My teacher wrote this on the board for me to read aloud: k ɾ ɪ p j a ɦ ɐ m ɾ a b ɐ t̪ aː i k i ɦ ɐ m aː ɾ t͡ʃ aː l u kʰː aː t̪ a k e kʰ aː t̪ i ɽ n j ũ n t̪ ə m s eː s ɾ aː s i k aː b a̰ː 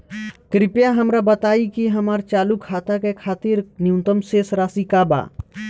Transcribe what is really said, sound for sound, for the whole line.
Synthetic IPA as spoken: k ɾ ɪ p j a ɦ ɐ m ɾ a b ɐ t̪ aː i k i ɦ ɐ m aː ɾ t͡ʃ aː l u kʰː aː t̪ a k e kʰ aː t̪ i ɾ n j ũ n t̪ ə m s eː s ɾ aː s i k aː b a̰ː